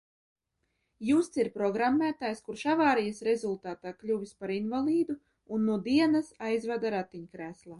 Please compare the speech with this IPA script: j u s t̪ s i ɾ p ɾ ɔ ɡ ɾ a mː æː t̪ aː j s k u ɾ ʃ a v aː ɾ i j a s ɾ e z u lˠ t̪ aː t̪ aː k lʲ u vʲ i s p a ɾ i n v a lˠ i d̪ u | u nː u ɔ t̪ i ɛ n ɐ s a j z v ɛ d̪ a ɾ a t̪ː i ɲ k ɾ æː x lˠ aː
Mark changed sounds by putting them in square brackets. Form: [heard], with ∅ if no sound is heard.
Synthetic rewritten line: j u s t̪ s i ɾ p ɾ ɔ ɡ ɾ a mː æː t̪ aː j s k u ɾ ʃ a v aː ɾ i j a s ɾ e z u lˠ t̪ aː t̪ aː k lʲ u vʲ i s p a ɾ i n v a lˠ [iː] d̪ u | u nː u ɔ [d̪] i ɛ n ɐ s a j z v [a] d̪ a ɾ a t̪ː i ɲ k ɾ æː [s] lˠ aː